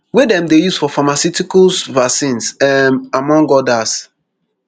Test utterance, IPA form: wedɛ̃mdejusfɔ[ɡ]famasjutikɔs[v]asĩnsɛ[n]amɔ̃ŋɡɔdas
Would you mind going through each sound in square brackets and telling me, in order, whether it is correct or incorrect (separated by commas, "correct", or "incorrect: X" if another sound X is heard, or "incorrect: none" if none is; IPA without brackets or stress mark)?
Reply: incorrect: none, correct, incorrect: m